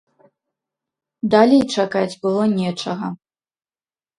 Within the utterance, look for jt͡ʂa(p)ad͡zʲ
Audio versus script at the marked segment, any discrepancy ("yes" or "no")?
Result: yes